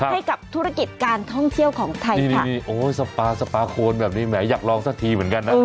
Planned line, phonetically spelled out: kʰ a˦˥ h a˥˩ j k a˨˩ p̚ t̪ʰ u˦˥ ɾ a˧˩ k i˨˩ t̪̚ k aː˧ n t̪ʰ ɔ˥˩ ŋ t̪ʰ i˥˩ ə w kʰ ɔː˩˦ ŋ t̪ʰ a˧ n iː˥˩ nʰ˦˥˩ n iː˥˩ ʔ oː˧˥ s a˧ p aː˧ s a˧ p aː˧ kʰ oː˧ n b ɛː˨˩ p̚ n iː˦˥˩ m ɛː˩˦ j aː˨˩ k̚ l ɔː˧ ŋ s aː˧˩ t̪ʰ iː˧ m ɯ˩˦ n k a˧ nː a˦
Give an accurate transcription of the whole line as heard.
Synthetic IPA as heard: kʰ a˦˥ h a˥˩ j k a˨˩ p̚ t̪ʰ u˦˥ ɾ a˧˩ k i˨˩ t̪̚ k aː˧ n t̪ʰ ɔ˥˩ ŋ t̪ʰ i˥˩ ə w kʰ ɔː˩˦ ŋ t̪ʰ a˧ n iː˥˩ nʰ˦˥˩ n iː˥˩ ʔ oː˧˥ s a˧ p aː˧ s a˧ p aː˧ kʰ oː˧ n b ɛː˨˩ p̚ n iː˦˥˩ m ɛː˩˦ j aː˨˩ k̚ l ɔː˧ ŋ s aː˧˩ t̪ʰ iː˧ m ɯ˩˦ n k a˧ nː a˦

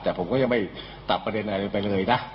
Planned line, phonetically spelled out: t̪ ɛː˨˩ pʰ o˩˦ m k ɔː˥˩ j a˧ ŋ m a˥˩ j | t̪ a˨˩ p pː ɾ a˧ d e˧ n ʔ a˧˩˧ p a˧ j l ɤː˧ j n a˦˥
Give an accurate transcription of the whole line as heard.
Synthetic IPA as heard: t̪ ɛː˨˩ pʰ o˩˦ m k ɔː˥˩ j a˧ ŋ m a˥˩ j | t̪ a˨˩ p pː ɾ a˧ d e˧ n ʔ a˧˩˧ p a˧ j l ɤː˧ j n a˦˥

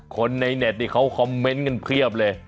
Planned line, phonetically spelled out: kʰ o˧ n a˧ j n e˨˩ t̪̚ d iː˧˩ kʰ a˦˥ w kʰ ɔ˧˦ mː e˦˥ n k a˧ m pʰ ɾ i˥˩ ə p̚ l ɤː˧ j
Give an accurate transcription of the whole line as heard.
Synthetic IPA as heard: kʰ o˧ nː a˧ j n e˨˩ t̪̚ n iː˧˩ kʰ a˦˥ w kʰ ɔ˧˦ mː e˦˥ n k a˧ n pʰ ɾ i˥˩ ə p̚ l ɤː˧ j

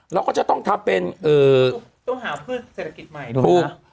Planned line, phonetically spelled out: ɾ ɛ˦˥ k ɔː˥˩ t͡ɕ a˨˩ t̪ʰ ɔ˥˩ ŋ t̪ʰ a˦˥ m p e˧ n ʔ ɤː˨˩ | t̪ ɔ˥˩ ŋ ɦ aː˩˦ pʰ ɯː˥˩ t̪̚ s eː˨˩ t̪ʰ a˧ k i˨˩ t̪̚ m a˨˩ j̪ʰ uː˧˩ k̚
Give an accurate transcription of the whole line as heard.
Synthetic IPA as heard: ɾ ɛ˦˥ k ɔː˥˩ t͡ɕ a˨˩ t̪ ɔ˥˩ ŋ t̪ʰ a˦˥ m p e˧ n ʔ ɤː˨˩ | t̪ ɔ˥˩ ŋ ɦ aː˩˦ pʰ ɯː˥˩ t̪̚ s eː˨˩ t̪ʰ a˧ k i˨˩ t̪̚ m a˨˩ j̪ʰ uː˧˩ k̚

